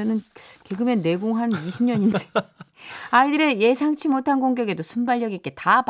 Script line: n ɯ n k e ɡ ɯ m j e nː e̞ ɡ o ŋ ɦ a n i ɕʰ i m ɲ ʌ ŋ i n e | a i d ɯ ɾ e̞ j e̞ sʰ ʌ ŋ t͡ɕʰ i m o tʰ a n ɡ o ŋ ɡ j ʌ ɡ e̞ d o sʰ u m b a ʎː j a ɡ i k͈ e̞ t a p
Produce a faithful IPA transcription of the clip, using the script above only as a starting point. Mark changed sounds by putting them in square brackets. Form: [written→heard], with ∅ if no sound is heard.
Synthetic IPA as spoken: n ɯ n k e ɡ ɯ m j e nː e̞ ɡ o ŋ ɦ a n i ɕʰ i m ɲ ʌ [ŋ→ɲ] i n e | a i d ɯ ɾ e̞ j e̞ sʰ [ʌ→a] ŋ t͡ɕʰ i m o tʰ a n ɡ o ŋ ɡ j ʌ ɡ e̞ d o sʰ u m b a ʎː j [a→ʌ] ɡ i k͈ e̞ t a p